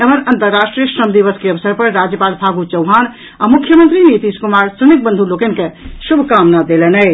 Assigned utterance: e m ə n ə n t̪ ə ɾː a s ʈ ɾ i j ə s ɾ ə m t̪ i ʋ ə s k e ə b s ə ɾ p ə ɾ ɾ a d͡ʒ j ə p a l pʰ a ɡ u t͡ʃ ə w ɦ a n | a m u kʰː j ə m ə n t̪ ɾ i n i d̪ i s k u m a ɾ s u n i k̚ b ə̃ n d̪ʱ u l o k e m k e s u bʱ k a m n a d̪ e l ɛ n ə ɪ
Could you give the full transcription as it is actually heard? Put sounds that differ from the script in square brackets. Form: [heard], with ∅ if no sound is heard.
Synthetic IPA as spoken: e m ə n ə n t̪ ə ɾː a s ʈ ɾ i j ə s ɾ ə m [d̪] i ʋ ə s k e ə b s ə ɾ p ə ɾ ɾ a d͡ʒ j ə p a l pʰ a ɡ u t͡ʃ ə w ɦ a n | a m u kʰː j ə m ə n t̪ ɾ i n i [t̪] i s k u m a ɾ s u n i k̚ b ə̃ n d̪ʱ u l o k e [n] k e s u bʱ k a m n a d̪ e l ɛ n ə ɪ